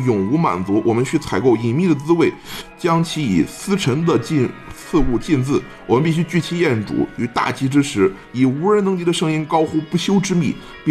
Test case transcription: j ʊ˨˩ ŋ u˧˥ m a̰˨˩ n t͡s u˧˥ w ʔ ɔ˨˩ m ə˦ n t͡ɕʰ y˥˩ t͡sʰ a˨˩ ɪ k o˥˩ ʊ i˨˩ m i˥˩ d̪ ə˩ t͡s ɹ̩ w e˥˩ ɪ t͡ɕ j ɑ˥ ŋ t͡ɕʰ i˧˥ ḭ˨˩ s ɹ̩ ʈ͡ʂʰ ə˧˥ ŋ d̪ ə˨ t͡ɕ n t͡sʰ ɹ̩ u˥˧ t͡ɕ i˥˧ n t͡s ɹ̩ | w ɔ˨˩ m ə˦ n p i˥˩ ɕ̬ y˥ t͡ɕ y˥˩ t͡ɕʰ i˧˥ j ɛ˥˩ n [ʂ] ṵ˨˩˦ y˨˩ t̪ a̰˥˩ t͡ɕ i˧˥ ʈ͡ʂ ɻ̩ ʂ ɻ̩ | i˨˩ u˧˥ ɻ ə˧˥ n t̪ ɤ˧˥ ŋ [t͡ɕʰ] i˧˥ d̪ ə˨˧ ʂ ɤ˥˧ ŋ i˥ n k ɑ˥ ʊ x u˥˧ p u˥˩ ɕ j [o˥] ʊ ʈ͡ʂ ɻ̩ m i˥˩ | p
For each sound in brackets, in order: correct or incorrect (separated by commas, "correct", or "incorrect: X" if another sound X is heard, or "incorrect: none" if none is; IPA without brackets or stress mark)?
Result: incorrect: ʈ͡ʂ, incorrect: t͡ɕ, correct